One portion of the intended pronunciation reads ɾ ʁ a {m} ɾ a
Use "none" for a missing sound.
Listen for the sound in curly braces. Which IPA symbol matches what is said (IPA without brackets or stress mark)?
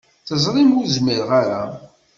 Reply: none